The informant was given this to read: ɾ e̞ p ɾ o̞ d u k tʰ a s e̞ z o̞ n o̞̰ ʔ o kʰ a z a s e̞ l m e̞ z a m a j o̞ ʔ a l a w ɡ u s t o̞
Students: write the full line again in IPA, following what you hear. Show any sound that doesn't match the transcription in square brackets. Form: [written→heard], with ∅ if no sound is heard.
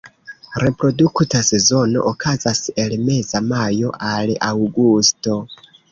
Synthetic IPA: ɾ e̞ p ɾ o̞ d u k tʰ a s e̞ z o̞ n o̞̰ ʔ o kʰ a z a s e̞ l m e̞ z a m a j o̞ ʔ a l a w ɡ u s t o̞